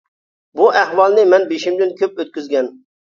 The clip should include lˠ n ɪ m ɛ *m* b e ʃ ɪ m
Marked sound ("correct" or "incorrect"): incorrect